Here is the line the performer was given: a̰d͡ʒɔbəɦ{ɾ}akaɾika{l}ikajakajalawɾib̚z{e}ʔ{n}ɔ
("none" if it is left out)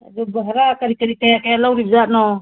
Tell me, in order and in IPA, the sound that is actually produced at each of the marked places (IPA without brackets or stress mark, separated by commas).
ɾ, ɾ, a, n